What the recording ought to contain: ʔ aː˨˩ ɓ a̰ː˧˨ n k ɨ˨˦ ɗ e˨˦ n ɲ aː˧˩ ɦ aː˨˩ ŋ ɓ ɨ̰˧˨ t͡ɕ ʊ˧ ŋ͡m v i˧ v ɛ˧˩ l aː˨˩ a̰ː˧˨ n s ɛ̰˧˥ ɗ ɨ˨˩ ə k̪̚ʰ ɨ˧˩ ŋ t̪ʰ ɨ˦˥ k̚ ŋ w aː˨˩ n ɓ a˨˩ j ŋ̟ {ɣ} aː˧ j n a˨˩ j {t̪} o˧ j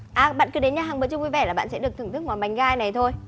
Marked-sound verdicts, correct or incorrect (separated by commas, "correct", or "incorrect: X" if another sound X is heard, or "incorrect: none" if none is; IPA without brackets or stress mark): correct, incorrect: t̪ʰ